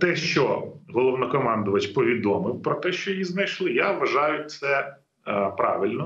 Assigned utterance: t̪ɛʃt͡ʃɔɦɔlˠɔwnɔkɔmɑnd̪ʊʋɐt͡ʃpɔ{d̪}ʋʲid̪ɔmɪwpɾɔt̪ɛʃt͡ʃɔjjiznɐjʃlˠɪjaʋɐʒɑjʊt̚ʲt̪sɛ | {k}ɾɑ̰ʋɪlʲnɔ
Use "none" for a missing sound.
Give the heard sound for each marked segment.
none, p

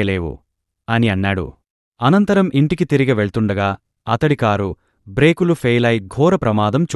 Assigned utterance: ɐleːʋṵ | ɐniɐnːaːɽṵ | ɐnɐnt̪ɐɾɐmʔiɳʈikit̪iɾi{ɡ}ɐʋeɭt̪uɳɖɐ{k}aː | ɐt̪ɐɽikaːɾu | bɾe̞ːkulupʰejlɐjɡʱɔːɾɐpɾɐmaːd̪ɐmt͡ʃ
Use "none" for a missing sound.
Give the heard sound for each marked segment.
ɡ, ɡ

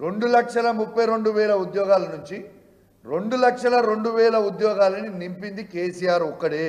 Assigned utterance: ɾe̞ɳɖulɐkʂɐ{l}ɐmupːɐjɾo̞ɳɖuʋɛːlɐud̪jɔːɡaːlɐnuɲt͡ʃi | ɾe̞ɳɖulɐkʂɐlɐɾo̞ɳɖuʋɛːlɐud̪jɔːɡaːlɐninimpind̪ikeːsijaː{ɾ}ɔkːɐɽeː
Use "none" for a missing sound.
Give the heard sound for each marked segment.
l, ɾ

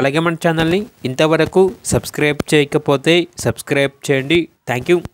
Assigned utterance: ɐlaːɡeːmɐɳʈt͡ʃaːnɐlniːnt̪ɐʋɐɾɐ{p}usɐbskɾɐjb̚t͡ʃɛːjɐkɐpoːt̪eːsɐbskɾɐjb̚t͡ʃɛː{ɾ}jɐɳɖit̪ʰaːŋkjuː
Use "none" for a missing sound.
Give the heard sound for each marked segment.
k, none

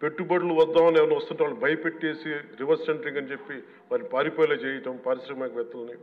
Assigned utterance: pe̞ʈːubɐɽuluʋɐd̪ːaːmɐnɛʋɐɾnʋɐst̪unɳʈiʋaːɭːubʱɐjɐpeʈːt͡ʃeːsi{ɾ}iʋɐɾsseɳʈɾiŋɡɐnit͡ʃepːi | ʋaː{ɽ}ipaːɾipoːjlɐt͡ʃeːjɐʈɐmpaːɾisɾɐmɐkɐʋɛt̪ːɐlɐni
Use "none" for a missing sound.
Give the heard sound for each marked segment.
ɾ, ɾ

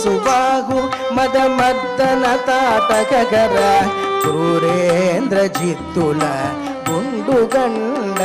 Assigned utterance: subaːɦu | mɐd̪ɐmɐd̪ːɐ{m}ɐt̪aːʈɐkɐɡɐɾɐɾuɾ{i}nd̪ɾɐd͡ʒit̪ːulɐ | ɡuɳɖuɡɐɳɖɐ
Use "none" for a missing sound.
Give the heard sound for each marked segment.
n, e

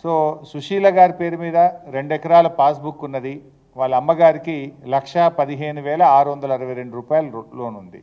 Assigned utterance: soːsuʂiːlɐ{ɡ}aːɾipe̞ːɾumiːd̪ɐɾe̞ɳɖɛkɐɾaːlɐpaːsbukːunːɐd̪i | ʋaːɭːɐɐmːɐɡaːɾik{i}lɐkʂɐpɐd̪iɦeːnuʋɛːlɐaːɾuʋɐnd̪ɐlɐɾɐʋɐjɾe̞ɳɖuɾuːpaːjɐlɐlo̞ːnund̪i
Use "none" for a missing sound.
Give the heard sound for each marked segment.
ɡ, i

